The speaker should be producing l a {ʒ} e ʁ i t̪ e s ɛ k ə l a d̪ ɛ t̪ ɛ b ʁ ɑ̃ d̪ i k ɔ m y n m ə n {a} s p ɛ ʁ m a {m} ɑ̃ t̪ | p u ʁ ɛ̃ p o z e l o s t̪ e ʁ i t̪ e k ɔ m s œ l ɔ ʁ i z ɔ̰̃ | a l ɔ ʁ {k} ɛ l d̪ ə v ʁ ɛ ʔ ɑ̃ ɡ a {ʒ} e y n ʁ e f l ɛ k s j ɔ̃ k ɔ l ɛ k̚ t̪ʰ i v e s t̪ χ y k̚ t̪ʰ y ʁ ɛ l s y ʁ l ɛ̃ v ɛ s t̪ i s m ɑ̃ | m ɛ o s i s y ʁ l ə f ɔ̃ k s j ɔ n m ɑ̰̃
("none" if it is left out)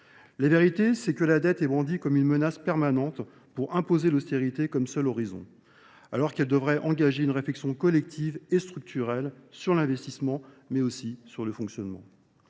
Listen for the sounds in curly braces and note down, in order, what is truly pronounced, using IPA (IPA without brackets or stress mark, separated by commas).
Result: v, a, n, k, ʒ